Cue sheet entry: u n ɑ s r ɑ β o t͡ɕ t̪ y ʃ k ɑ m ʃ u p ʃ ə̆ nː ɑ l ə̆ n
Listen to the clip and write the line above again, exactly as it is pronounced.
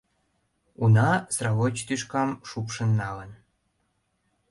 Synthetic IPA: u n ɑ s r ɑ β o t͡ɕ t̪ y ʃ k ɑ m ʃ u p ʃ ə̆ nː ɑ l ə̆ n